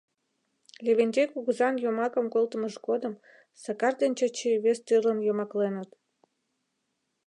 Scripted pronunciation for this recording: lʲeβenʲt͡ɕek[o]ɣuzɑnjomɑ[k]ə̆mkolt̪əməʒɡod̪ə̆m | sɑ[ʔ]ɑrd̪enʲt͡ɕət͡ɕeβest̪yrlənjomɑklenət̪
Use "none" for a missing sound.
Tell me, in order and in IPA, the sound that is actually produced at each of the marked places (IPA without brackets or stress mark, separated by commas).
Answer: u, k, k